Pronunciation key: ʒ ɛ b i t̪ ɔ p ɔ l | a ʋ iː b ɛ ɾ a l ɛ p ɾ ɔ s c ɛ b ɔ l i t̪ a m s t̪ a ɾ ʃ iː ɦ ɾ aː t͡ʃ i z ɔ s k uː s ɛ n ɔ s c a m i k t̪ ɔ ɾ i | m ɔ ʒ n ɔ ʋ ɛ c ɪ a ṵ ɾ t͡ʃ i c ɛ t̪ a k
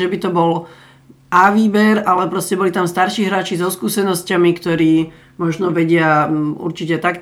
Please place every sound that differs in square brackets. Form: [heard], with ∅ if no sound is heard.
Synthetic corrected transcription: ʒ ɛ b i t̪ ɔ [b] ɔ l | a ʋ iː b ɛ ɾ a l ɛ p ɾ ɔ s c ɛ b ɔ l i t̪ a m s t̪ a ɾ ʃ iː ɦ ɾ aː t͡ʃ i z ɔ s k uː s ɛ n ɔ s c a m i k t̪ ɔ ɾ [iː] | m ɔ ʒ n ɔ ʋ ɛ [ɟ] ɪ a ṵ ɾ t͡ʃ i c ɛ t̪ a k